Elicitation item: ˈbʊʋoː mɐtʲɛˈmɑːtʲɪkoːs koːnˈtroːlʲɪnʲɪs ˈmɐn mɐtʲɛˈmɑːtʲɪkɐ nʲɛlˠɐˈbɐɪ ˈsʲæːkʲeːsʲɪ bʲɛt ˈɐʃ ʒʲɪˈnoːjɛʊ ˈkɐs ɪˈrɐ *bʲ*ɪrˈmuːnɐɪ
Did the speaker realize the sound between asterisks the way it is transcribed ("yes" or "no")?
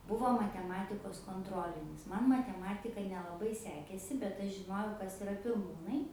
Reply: no